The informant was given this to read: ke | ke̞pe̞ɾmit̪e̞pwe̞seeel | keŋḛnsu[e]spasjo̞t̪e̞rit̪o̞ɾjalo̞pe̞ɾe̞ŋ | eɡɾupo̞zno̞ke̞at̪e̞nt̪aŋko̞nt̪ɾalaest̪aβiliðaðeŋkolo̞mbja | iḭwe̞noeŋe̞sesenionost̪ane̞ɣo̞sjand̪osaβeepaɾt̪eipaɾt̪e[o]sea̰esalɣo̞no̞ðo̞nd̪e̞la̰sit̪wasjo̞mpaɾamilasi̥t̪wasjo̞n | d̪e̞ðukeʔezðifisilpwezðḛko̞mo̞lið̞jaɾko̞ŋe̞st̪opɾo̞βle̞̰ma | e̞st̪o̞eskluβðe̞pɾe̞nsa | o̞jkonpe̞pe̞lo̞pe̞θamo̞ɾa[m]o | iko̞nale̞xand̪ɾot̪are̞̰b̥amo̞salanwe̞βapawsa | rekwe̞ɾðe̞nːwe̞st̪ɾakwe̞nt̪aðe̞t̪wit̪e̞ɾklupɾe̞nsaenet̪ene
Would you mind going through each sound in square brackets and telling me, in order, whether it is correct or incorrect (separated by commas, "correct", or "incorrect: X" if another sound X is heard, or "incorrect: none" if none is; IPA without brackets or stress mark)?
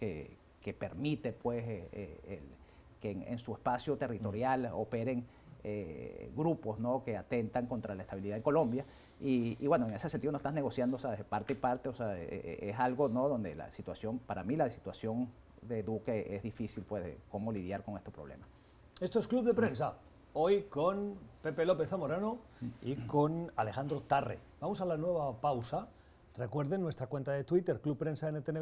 correct, correct, incorrect: n